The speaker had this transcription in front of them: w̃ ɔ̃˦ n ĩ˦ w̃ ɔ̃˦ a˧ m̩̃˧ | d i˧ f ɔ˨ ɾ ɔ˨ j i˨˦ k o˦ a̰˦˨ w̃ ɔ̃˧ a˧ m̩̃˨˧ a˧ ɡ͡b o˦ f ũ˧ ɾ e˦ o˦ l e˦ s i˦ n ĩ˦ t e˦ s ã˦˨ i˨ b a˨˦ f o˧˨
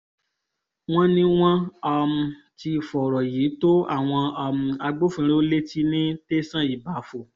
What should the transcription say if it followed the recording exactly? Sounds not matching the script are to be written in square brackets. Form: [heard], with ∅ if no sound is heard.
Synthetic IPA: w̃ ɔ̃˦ n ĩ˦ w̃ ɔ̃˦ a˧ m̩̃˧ | [t] i˧ f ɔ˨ ɾ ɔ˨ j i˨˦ [t] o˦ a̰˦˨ w̃ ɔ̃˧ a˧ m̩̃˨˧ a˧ ɡ͡b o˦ f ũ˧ ɾ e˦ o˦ l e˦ [t] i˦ n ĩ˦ t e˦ s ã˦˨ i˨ b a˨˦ f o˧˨

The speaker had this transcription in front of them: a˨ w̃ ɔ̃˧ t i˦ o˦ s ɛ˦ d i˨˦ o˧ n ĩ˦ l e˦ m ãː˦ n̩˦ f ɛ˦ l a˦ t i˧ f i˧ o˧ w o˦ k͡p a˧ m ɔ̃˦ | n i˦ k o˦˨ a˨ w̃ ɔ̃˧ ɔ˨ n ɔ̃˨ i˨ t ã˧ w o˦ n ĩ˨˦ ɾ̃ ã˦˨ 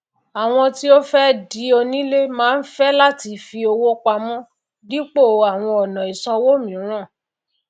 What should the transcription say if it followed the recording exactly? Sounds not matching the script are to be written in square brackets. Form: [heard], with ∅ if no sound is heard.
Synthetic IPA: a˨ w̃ ɔ̃˧ t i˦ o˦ [f] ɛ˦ d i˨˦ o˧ n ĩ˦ l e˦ m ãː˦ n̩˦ f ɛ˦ l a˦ t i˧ f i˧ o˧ w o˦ k͡p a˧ m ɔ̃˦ | [d] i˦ [k͡p] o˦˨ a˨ w̃ ɔ̃˧ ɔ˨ n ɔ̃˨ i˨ [s] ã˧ w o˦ [m] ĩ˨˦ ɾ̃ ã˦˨

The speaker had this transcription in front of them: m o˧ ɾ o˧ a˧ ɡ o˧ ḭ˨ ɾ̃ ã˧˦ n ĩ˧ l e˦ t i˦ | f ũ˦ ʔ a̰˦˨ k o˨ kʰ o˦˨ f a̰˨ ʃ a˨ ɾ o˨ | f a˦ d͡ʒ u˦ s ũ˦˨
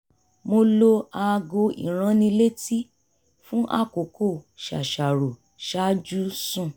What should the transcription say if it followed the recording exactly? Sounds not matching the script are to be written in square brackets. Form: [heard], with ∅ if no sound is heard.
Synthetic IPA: m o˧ [l] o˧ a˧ ɡ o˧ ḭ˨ ɾ̃ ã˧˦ n ĩ˧ l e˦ t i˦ | f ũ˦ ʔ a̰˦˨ k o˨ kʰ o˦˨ [ʃ] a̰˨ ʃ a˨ ɾ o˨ | [ʃ] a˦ d͡ʒ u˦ s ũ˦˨

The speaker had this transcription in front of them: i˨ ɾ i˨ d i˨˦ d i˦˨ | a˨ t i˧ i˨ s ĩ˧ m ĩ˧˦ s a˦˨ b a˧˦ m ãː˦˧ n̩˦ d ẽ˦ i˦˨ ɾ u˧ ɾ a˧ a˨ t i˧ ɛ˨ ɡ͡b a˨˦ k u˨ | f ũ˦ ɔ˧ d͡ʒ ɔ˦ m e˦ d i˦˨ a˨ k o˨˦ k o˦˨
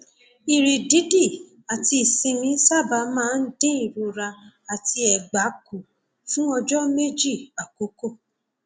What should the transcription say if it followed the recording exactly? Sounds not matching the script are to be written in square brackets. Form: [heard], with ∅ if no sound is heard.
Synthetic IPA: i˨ ɾ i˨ d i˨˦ d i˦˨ | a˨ t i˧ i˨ s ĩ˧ m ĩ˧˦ s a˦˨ b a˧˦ m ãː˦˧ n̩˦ d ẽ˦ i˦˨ ɾ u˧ ɾ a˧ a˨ t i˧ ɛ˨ ɡ͡b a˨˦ k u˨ | f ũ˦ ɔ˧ d͡ʒ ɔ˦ m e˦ [d͡ʒ] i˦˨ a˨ k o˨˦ k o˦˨

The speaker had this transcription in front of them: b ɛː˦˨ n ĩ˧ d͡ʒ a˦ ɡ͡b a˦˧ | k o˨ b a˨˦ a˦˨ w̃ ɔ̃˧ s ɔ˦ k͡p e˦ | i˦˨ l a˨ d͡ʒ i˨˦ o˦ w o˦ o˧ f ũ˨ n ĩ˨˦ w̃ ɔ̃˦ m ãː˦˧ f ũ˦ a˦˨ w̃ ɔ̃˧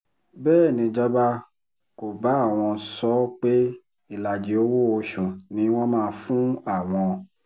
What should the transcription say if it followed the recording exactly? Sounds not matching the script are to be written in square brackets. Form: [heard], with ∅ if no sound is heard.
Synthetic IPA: b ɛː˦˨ n ĩ˧ d͡ʒ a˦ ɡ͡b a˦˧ | k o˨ b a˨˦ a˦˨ w̃ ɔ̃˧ s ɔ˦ k͡p e˦ | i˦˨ l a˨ d͡ʒ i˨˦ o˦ w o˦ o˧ [ʃ] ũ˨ n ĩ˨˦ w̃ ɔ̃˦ m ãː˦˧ f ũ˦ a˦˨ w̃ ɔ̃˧

